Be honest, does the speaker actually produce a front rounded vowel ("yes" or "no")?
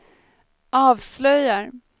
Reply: yes